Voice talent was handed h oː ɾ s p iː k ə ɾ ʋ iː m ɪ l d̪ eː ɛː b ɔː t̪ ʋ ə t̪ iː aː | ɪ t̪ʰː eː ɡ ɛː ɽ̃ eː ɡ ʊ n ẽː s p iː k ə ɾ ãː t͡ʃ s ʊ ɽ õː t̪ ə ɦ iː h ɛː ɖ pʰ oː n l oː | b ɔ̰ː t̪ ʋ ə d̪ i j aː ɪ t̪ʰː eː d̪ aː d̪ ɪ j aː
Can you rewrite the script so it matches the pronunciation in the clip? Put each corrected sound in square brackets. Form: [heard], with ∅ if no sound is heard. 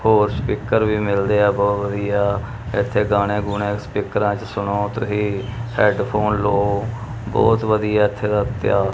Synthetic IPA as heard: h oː ɾ s p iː k ə ɾ ʋ iː m ɪ l d̪ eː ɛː b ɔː t̪ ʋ ə [d̪] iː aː | ɪ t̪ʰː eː ɡ [aː] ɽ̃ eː ɡ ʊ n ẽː s p iː k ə ɾ ãː t͡ʃ s ʊ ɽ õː t̪ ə ɦ iː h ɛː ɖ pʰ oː n l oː | b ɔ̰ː t̪ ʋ ə d̪ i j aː ɪ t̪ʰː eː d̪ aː [t̪] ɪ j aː